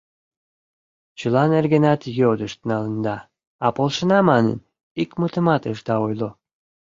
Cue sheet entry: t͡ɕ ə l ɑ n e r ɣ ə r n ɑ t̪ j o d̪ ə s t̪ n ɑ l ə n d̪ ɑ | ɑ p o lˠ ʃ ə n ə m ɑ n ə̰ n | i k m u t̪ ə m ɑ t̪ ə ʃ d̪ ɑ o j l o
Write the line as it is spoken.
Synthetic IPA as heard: t͡ɕ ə l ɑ n e r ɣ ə n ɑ t̪ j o d̪ ə ʃ t̪ n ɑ l ə n d̪ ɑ | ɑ p o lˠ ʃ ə n ɑ m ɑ n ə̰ n | i k m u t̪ ə m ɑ t̪ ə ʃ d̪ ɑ o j l o